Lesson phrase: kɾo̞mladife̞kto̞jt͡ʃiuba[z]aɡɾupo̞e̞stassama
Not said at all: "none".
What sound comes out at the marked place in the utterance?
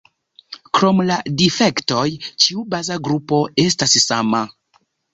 z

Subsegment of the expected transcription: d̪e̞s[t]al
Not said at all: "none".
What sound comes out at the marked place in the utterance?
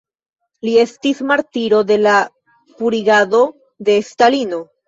t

